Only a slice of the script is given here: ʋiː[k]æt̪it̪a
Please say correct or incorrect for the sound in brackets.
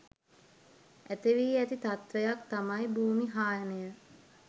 incorrect